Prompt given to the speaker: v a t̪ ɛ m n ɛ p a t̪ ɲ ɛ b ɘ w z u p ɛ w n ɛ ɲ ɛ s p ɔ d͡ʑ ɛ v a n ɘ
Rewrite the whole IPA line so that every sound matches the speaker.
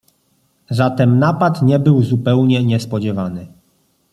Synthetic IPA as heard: z a t̪ ɛ m n a p a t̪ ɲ ɛ b ɘ w z u p ɛ w ɲ ɛ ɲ ɛ s p ɔ d͡ʑ ɛ v a n ɘ

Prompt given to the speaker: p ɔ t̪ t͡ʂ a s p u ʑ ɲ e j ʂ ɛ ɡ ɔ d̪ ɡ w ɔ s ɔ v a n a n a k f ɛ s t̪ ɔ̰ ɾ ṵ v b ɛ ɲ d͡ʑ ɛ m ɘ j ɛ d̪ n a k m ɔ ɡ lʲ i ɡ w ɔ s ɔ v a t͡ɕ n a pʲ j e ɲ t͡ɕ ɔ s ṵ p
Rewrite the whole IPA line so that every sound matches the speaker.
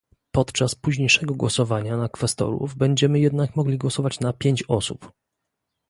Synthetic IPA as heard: p ɔ t̪ t͡ʂ a s p u ʑ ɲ e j ʂ ɛ ɡ ɔ ɡ w ɔ s ɔ v a ɲ a n a k f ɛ s t̪ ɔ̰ ɾ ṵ v b ɛ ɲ d͡ʑ ɛ m ɘ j ɛ d̪ n a k m ɔ ɡ lʲ i ɡ w ɔ s ɔ v a t͡ɕ n a pʲ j e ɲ t͡ɕ ɔ s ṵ p

